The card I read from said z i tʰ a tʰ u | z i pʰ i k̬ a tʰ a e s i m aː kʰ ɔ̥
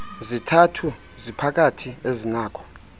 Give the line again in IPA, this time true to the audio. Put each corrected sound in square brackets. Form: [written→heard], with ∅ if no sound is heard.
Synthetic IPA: z i tʰ a tʰ u | z i pʰ [i→a] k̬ a tʰ [a→i] e [s→z] i [m→n] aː kʰ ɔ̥